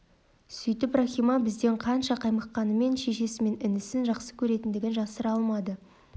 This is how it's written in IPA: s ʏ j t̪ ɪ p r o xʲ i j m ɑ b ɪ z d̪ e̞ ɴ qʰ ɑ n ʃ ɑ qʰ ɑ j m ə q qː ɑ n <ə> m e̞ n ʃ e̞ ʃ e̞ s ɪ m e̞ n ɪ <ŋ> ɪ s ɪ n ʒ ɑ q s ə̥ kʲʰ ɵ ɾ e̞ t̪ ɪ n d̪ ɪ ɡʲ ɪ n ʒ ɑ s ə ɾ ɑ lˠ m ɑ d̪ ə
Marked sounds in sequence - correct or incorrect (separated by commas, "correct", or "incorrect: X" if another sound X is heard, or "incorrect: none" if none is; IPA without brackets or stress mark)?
correct, incorrect: n